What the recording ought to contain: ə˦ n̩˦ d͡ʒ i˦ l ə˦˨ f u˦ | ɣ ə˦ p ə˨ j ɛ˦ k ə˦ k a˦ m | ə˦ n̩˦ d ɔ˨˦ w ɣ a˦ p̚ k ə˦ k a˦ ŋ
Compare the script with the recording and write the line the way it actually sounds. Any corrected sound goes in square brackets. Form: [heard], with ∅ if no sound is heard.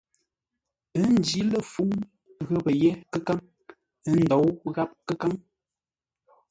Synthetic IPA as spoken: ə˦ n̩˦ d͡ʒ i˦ l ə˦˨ f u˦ | ɣ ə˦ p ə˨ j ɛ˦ k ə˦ k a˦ [ŋ] | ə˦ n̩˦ d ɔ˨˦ w ɣ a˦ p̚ k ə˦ k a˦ ŋ